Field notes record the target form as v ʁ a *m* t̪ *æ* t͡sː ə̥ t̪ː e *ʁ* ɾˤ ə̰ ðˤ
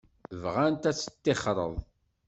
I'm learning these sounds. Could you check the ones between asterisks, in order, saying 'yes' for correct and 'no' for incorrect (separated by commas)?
no, yes, no